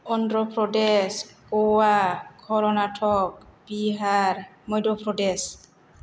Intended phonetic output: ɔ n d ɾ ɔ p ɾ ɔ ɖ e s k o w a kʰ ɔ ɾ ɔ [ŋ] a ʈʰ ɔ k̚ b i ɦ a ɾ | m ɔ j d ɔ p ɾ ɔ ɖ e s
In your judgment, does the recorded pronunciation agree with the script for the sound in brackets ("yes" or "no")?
no